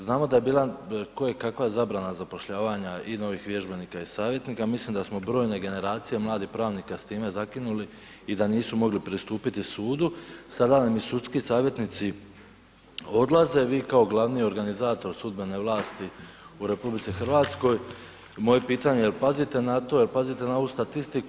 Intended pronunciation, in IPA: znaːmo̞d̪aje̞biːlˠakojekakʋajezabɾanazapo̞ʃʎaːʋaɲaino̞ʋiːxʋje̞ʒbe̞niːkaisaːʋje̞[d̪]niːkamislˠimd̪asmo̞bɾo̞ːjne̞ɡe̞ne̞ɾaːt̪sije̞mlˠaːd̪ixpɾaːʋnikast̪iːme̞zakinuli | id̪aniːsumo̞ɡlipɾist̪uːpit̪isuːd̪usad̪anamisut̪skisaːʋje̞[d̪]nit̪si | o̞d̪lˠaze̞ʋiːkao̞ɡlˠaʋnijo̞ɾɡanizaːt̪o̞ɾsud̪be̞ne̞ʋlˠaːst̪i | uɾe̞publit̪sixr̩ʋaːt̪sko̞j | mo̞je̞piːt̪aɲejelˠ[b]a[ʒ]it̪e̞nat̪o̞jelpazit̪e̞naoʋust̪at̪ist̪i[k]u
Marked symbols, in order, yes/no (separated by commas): no, no, no, no, yes